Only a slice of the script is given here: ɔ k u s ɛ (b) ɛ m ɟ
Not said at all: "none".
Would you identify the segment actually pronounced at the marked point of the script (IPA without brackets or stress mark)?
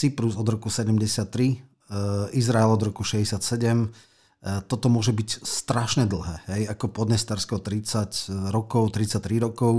ɟ